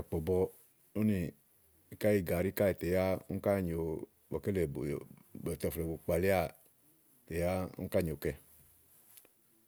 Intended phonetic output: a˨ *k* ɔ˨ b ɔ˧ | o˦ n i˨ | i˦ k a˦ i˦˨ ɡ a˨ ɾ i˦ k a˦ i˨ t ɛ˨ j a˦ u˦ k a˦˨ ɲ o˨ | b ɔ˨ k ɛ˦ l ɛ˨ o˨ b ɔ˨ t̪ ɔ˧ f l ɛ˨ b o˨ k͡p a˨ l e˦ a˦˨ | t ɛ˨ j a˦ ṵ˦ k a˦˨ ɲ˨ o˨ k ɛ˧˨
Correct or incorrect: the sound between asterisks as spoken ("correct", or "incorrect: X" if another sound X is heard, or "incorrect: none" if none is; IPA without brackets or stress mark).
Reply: incorrect: k͡p